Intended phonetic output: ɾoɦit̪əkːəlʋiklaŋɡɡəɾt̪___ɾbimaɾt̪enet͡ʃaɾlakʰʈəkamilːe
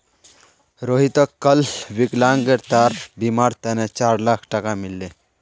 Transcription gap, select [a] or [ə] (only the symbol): a